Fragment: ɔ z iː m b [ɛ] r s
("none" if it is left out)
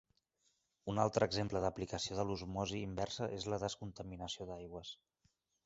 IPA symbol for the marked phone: ɛ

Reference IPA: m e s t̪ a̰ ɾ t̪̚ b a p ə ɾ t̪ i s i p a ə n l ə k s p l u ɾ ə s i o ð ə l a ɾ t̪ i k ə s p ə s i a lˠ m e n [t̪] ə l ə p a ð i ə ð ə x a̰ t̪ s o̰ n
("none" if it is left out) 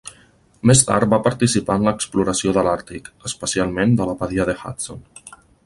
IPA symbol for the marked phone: d̪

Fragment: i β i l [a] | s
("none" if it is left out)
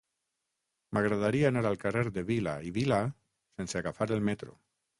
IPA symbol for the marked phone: a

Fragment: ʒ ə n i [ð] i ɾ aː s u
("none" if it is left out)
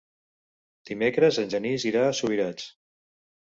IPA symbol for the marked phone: z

